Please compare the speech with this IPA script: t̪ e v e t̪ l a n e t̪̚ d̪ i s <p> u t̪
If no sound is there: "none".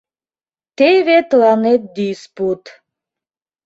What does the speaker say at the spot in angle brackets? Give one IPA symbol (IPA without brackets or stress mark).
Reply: p